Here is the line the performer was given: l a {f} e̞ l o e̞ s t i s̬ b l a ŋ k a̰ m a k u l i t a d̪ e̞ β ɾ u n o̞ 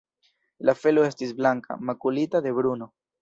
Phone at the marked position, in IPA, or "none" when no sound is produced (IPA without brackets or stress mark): f